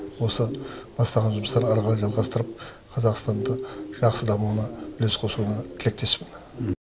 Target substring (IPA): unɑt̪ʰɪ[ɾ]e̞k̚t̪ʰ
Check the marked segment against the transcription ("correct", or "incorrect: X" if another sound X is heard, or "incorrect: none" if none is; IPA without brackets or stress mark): incorrect: l